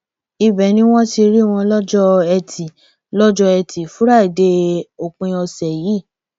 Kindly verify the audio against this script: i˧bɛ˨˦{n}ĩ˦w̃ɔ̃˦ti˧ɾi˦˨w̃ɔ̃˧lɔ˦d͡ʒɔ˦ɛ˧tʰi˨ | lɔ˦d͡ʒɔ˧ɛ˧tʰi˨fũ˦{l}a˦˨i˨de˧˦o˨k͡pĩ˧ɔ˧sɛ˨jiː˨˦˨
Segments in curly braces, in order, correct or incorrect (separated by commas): correct, incorrect